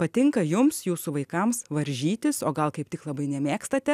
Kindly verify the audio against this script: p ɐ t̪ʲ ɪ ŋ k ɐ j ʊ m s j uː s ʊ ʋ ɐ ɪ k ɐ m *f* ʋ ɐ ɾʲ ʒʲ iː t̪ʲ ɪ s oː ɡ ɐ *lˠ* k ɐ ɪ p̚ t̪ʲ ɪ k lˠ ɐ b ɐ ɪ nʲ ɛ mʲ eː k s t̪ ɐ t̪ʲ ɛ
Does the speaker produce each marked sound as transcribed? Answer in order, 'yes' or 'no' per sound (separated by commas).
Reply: no, yes